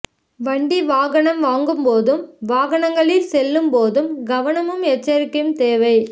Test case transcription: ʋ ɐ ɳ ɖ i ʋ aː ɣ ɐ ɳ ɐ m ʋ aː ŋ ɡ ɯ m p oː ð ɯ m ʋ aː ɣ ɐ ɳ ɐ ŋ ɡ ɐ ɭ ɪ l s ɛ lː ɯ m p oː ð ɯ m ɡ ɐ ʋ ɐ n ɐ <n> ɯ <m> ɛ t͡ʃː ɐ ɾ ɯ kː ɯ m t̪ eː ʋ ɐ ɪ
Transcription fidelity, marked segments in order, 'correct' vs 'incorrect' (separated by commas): incorrect, correct